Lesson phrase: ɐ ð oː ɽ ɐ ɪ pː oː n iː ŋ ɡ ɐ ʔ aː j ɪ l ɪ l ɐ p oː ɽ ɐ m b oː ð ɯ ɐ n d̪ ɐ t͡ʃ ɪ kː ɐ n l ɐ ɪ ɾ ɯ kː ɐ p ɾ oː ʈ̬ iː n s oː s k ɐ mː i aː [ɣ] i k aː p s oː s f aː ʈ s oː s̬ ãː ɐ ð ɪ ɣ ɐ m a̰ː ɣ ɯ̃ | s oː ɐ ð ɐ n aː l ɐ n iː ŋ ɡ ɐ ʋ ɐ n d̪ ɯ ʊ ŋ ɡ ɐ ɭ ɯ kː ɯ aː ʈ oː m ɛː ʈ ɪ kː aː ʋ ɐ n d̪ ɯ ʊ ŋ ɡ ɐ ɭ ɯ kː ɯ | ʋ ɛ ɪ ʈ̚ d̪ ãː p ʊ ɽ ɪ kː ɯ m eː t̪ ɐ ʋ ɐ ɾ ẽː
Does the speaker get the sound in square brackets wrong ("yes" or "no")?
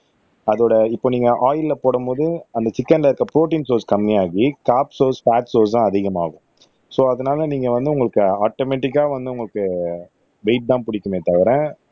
no